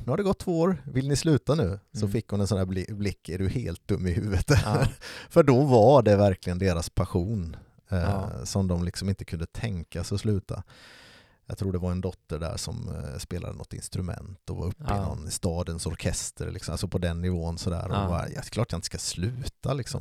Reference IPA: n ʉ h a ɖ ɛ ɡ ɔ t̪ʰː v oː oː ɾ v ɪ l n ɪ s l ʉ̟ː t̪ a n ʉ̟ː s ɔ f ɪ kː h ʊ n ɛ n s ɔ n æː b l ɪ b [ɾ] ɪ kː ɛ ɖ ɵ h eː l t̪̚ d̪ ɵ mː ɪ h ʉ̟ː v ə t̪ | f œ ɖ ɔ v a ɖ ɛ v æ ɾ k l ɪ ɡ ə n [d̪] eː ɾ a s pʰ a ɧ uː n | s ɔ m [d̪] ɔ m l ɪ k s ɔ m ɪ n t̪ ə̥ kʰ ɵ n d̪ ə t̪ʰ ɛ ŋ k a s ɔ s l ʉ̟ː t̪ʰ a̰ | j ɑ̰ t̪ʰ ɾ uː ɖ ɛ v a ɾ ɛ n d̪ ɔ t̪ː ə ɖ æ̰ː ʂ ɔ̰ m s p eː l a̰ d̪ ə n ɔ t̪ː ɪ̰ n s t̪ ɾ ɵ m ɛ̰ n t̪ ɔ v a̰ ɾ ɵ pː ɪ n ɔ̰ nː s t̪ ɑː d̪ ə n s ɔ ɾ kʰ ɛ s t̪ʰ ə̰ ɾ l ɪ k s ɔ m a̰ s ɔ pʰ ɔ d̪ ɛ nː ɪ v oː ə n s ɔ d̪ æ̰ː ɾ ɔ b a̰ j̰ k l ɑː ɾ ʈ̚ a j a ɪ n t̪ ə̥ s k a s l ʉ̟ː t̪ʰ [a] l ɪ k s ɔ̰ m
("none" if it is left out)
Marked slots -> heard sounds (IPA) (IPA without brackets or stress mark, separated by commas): l, d̪, d̪, a